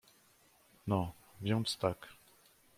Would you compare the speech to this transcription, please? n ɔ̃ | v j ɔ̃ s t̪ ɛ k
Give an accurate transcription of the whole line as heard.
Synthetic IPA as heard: n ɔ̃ | v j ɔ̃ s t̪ a k